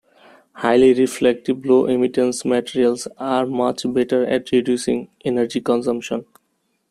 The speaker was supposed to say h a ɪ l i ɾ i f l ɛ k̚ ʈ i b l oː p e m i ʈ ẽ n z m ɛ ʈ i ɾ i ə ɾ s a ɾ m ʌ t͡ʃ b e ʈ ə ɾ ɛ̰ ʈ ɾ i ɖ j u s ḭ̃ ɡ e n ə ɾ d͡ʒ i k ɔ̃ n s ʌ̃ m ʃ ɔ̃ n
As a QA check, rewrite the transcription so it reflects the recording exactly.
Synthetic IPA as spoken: h a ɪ l i ɾ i f l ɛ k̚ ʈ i b l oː ʔ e m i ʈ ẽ n s m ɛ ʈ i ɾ i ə l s a ɾ m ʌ t͡ʃ b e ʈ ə ɾ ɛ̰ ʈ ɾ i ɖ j u s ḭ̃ ŋ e n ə ɾ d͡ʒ i k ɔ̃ n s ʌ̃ m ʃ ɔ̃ n